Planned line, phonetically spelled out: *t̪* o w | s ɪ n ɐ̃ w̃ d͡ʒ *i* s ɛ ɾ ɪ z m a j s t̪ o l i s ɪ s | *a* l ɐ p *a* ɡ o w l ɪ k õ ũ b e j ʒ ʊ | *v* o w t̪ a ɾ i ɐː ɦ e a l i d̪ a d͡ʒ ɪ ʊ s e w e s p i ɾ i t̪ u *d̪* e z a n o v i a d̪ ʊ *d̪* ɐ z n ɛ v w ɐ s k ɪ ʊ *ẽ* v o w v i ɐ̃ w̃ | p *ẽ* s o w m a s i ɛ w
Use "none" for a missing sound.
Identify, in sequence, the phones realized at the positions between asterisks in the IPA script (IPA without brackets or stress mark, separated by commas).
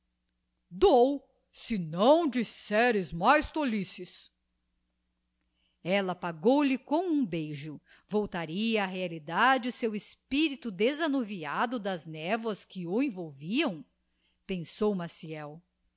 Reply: d̪, i, ɛ, a, v, d̪, d̪, ẽ, ẽ